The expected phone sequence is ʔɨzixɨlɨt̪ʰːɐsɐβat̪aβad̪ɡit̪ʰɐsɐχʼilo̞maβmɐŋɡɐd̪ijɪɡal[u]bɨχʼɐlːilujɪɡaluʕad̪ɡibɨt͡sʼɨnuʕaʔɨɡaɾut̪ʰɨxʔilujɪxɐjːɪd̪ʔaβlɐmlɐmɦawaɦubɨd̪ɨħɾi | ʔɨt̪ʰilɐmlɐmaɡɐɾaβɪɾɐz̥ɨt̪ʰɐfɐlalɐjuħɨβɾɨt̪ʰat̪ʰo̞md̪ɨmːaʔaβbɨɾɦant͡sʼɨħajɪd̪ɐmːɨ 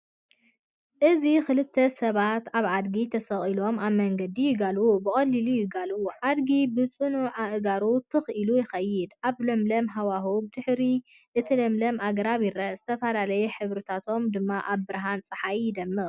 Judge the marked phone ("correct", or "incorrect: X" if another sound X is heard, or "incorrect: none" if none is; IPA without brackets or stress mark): correct